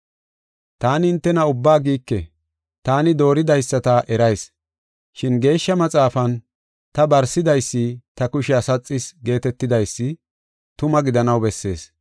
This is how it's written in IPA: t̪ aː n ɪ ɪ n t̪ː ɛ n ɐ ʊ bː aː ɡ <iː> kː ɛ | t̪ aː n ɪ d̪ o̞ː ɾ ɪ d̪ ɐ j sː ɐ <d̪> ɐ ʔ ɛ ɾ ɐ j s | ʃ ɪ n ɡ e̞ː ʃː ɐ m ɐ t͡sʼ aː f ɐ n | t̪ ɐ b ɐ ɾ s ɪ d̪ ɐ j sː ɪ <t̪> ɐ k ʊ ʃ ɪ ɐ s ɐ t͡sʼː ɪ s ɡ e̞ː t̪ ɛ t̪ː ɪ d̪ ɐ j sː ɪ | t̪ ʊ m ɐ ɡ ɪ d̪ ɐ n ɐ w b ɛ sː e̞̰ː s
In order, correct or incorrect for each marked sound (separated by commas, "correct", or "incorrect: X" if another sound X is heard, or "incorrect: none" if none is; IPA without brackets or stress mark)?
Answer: correct, incorrect: t̪, correct